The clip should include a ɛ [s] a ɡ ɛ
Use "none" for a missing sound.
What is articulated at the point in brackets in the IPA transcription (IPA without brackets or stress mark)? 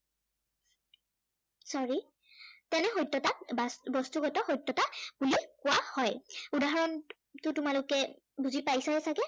s